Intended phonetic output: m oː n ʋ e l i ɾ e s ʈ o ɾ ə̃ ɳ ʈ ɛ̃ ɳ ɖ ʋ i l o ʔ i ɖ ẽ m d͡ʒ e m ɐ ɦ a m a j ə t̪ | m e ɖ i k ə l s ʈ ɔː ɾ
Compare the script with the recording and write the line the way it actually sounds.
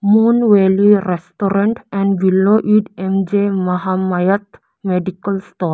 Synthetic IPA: m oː n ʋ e l i ɾ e s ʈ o ɾ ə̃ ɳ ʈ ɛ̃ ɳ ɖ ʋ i l o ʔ i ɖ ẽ m d͡ʒ e m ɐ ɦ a m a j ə t̪ | m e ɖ i k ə l s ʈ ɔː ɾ